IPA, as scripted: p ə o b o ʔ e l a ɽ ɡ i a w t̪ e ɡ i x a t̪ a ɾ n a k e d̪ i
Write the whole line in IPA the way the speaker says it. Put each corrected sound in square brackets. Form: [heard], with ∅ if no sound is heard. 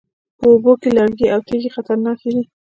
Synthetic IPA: p ə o b o [k] e l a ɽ ɡ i a w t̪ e ɡ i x a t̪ a ɾ n [ɑ] k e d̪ i

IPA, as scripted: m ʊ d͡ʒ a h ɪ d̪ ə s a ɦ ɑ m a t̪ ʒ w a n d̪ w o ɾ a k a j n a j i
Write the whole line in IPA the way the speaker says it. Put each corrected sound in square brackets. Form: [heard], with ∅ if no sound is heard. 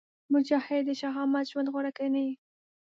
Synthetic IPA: m ʊ d͡ʒ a h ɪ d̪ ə [ʃ] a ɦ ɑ m a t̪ ʒ w a n d̪ [ɣ] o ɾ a k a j n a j i

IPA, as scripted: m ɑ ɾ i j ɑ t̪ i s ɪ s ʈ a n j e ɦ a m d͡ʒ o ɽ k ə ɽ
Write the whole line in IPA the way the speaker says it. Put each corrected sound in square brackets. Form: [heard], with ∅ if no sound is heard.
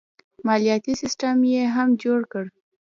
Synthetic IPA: m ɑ [l] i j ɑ t̪ i s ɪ s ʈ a [m] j e ɦ a m d͡ʒ o ɽ k ə ɽ

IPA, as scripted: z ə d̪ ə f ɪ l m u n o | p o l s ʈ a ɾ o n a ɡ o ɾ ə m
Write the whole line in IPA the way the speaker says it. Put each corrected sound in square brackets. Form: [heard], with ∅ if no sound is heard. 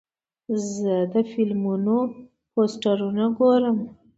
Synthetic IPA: z ə d̪ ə f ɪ l m u n o | p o [∅] s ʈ a ɾ [u] n a ɡ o ɾ ə m

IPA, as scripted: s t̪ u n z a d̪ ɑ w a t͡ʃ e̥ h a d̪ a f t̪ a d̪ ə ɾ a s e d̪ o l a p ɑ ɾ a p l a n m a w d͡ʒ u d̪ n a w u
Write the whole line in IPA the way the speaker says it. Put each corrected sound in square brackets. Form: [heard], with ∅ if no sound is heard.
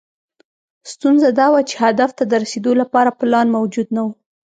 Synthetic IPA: s t̪ u n z a d̪ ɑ w a t͡ʃ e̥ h a d̪ a f t̪ a d̪ ə ɾ a s e d̪ o l a p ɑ ɾ a p l [ɑ] n m a w d͡ʒ u d̪ n a w u

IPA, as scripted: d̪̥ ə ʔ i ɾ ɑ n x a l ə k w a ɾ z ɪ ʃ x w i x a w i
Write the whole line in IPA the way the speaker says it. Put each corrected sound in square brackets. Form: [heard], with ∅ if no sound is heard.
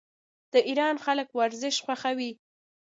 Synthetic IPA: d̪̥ ə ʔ i ɾ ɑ n x a l ə k w a ɾ z ɪ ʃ x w [a] x a w i

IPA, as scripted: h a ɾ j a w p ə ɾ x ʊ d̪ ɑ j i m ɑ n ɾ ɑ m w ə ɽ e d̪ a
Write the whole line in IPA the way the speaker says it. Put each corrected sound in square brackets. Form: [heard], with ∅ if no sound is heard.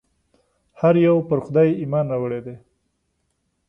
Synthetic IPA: h a ɾ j a w p ə ɾ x ʊ d̪ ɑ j i m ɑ n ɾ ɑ [∅] w ə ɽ e d̪ [e]

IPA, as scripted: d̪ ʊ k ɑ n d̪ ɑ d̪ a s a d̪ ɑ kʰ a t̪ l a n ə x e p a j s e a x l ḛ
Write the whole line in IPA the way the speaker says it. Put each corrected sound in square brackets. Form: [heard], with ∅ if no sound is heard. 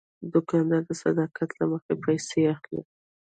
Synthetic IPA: d̪ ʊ k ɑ n d̪ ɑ d̪ [ə] s a d̪ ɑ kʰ a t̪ l a [m] ə x e p a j s e a x l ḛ

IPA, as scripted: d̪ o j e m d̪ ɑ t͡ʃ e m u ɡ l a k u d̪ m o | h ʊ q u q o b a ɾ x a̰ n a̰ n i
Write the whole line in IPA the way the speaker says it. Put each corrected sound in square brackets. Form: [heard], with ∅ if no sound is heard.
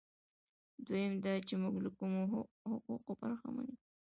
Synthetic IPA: d̪ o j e m d̪ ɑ t͡ʃ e m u ɡ l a k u [∅] m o | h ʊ q u q o b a ɾ x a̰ [m] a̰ n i

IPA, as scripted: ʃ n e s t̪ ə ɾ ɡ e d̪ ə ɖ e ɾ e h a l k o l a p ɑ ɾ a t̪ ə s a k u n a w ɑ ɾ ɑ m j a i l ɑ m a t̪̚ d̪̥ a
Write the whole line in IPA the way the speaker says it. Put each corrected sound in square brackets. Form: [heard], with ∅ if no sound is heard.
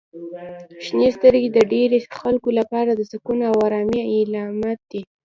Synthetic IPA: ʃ n e s t̪ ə ɾ ɡ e d̪ ə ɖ e ɾ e [x] a l k o l a p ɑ ɾ a [d̪] ə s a k u n a w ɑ ɾ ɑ m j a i l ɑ m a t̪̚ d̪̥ [i]

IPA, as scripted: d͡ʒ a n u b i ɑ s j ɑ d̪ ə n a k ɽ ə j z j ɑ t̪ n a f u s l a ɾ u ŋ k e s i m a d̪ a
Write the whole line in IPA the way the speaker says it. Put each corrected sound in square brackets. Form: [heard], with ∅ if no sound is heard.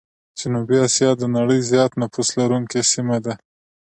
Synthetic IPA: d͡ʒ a n u b i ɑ s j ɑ d̪ ə n a [∅] ɽ ə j z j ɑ t̪ n a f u s l a ɾ u ŋ k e s i m a d̪ a

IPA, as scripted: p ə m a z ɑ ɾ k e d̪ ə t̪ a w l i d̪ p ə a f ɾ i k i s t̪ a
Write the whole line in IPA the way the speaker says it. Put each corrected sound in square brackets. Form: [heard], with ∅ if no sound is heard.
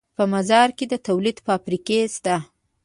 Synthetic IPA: p ə m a z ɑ ɾ k e d̪ ə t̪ a w l i d̪ p ə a f ɾ i k [e] s t̪ a

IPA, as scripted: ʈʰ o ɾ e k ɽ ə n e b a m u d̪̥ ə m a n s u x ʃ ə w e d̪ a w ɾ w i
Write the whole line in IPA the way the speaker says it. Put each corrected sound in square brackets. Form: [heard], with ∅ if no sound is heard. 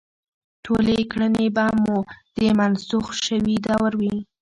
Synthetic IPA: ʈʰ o [l] e k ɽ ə n e b a m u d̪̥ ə m a n s u x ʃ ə w [i] d̪ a w ɾ w i

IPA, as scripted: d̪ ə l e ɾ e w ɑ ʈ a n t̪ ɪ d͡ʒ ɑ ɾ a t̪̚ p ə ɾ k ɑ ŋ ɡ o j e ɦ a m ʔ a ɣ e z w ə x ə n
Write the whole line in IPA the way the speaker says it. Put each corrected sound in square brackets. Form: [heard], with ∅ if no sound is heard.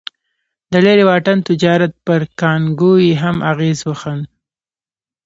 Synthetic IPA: d̪ ə l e ɾ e w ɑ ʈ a n t̪ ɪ d͡ʒ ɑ ɾ a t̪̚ p ə ɾ k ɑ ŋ ɡ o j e ɦ a m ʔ a ɣ e z w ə x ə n

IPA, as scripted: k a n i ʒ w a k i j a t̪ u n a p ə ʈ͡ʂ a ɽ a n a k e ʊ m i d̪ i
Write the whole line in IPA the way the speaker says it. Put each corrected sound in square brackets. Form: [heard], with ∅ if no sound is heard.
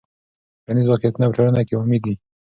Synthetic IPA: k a n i [z] w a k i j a t̪ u n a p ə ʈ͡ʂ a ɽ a n a k e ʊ m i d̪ i

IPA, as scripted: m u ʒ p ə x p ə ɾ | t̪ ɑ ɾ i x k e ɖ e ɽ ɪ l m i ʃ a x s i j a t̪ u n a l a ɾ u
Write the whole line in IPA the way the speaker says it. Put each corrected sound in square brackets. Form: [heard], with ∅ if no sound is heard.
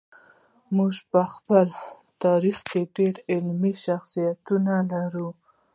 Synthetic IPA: m u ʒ p ə x p ə [l] | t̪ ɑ ɾ i x k e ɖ e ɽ ɪ l m i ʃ a x s i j a t̪ u n a l a ɾ u

